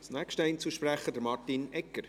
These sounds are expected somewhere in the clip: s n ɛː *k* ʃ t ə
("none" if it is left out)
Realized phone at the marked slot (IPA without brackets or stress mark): k